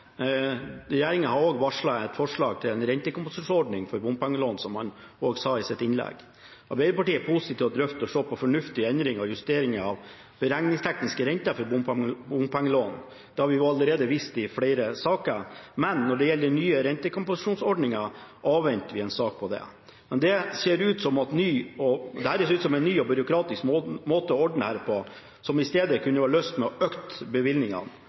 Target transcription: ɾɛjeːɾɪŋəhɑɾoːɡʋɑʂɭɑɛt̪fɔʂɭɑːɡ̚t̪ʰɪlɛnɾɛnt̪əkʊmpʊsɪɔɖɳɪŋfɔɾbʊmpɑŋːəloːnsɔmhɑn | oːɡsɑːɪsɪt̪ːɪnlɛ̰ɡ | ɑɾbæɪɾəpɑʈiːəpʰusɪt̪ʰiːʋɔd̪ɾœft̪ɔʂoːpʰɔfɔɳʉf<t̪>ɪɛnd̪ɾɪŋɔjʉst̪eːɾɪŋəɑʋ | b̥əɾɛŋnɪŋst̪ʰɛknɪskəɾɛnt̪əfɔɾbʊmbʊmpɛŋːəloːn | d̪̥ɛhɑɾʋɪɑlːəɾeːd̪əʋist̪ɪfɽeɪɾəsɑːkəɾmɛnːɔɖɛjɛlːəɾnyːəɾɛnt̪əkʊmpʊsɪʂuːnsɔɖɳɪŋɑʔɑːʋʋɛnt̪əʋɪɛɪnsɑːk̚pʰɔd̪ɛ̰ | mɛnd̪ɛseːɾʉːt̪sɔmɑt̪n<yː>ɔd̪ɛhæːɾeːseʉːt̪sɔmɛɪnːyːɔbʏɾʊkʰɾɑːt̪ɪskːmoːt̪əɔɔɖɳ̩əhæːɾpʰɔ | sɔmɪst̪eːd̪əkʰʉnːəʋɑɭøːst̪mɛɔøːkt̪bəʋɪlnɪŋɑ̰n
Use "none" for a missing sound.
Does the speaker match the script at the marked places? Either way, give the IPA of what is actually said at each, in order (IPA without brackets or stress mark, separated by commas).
t̪, yː